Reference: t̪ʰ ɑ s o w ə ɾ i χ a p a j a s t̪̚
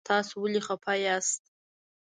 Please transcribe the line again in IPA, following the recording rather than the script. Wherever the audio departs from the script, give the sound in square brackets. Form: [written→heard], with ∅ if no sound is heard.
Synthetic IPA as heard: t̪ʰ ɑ s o w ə [ɾ→l] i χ a [p→pʰ] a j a s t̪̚